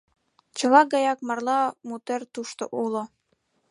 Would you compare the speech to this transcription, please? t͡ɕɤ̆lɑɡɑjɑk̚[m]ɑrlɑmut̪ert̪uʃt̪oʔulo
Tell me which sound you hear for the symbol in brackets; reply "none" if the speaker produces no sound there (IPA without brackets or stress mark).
m